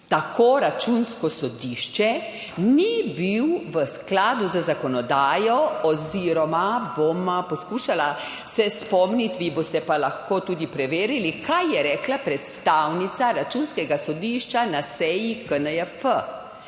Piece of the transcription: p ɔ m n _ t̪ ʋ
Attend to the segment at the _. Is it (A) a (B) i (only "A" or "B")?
B